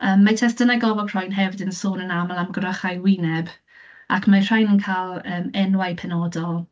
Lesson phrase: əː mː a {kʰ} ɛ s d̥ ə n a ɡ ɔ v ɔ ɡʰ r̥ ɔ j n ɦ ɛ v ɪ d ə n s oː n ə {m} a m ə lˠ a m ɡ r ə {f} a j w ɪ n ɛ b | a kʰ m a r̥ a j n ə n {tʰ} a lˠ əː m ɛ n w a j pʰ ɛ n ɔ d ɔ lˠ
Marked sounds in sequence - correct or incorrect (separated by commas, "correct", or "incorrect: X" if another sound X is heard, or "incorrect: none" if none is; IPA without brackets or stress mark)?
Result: incorrect: tʰ, incorrect: n, incorrect: χ, incorrect: kʰ